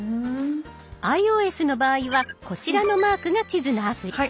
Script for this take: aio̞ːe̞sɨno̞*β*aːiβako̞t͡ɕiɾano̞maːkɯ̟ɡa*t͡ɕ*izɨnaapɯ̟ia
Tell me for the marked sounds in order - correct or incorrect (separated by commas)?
incorrect, correct